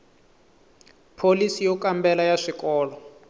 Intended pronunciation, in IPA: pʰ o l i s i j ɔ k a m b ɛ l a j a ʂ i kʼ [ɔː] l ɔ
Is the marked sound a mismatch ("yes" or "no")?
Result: no